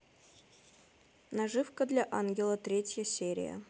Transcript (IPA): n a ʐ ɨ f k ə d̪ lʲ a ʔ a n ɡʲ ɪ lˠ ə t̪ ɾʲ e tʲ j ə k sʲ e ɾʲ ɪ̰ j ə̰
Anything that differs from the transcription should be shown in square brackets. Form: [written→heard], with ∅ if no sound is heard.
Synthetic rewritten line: n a ʐ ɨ f k ə d̪ lʲ a ʔ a n ɡʲ ɪ lˠ ə t̪ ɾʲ e tʲ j ə [k→∅] sʲ e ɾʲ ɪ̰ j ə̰